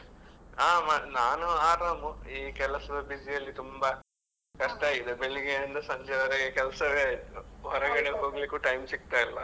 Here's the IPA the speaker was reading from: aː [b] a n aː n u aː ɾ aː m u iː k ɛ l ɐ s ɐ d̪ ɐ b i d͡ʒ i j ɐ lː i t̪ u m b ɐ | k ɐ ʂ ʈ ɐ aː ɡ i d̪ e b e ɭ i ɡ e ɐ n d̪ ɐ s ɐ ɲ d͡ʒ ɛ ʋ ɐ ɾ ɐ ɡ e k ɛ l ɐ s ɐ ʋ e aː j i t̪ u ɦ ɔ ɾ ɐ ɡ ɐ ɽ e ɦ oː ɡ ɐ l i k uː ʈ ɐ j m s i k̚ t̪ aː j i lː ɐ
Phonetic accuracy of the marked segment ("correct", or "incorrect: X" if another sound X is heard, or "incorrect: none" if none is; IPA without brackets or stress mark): incorrect: m